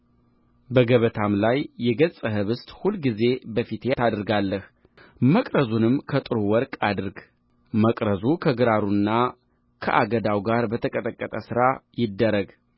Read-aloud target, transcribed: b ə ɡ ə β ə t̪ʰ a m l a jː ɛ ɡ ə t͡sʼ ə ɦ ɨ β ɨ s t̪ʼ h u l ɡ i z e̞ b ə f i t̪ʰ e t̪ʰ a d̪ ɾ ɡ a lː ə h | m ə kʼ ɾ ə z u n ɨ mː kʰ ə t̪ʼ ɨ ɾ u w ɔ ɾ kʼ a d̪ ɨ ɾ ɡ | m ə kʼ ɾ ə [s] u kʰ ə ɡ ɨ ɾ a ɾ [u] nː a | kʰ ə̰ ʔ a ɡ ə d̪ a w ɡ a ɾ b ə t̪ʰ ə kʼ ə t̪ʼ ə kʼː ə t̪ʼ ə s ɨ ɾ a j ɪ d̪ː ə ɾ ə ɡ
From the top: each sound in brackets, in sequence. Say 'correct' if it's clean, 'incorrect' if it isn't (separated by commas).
incorrect, correct